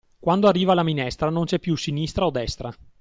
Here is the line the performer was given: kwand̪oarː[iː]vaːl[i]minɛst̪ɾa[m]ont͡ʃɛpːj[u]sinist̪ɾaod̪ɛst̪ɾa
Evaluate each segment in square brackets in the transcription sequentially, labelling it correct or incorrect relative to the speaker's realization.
correct, incorrect: a, incorrect: n, correct

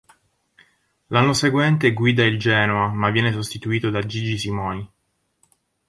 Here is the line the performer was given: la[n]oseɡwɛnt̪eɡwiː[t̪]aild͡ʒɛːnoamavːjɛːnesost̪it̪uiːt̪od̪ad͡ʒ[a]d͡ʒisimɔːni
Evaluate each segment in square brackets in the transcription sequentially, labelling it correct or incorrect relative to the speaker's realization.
incorrect: nː, incorrect: d̪, incorrect: i

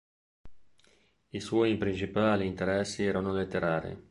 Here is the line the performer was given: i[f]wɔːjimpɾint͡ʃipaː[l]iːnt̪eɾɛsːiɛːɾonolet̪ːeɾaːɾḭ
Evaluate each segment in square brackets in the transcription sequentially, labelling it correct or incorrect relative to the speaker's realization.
incorrect: s, correct

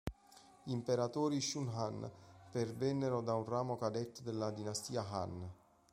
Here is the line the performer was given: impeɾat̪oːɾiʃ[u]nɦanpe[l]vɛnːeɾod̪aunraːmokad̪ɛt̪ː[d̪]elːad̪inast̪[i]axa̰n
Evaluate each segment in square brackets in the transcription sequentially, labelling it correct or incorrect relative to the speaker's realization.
correct, incorrect: r, correct, incorrect: iː

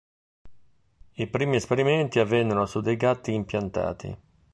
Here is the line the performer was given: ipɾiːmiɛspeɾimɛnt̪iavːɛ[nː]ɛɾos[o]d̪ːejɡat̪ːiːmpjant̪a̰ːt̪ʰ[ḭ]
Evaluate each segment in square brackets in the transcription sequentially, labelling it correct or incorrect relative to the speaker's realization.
correct, incorrect: u, correct

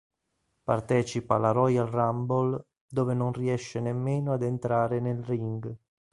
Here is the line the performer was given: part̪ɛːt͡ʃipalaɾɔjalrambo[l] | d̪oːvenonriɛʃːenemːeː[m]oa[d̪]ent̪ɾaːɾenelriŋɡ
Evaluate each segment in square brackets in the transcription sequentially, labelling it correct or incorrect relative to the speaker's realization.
correct, incorrect: n, correct

